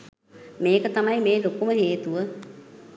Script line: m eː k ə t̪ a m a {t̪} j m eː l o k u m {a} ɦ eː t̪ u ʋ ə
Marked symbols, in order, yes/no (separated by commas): no, no